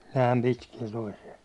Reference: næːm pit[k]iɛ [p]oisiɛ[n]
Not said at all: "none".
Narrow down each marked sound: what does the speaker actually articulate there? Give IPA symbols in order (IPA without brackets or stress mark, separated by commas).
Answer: k, t, none